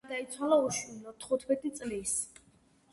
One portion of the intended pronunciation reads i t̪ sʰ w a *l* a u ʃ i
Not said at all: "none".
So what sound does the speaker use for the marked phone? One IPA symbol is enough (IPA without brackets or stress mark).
l